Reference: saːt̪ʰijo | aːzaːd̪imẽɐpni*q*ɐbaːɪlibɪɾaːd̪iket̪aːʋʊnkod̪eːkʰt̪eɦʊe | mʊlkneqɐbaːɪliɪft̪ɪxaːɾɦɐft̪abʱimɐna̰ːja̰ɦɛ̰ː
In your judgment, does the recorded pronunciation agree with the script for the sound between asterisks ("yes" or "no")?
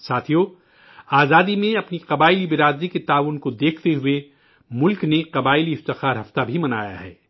yes